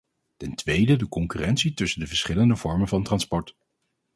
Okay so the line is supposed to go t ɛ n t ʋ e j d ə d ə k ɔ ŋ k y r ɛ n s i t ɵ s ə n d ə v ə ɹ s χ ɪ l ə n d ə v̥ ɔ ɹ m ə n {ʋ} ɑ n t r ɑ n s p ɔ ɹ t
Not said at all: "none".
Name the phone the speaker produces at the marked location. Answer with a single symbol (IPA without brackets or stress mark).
v